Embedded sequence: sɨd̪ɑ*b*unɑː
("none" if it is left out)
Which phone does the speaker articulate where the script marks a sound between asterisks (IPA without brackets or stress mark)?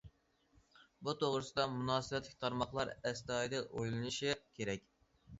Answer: m